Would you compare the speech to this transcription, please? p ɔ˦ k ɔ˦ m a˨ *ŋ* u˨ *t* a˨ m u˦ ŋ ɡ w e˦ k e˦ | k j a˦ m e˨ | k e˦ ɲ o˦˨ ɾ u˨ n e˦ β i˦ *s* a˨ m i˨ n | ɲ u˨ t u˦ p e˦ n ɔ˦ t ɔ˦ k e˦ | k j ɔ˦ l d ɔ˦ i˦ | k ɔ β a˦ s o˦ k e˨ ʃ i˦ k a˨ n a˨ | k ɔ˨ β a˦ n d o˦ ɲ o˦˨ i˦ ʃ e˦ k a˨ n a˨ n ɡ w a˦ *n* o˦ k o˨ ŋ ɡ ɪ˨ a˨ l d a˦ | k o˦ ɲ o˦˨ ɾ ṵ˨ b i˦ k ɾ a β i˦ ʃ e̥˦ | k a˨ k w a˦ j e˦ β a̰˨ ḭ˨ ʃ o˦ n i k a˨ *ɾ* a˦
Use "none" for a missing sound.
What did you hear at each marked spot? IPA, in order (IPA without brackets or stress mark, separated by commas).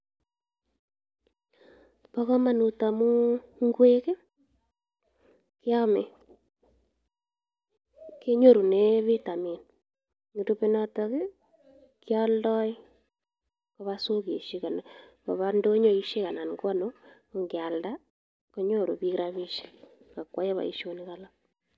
n, t, t, n, l